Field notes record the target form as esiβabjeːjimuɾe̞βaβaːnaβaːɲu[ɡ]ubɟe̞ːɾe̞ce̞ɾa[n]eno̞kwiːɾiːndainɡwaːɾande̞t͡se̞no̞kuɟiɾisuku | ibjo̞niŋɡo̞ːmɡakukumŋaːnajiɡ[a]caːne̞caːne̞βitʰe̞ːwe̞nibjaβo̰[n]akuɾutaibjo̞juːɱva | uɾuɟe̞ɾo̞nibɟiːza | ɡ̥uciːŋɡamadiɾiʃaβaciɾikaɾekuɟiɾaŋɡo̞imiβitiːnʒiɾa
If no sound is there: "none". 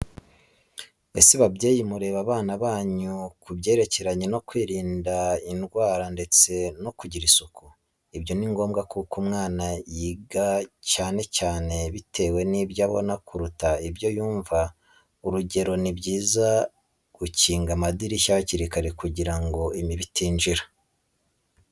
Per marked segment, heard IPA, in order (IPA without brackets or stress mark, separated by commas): k, ɲ, a, n